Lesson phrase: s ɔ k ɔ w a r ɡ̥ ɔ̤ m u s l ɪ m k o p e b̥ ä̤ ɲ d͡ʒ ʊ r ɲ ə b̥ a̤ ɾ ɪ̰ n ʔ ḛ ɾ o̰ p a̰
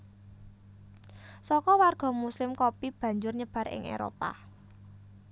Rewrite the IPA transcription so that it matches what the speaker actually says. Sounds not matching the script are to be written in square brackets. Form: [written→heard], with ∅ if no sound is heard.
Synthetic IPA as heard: s ɔ k ɔ w a r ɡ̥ ɔ̤ m u s l ɪ m k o p [e→i] b̥ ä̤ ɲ d͡ʒ ʊ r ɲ ə b̥ a̤ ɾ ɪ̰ [n→ŋ] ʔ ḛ ɾ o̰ p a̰